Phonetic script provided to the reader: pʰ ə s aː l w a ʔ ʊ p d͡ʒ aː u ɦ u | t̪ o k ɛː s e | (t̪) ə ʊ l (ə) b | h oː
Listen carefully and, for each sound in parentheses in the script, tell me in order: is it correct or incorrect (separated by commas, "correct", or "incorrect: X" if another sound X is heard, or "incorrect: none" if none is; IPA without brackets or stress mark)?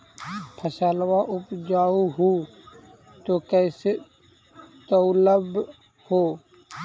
correct, correct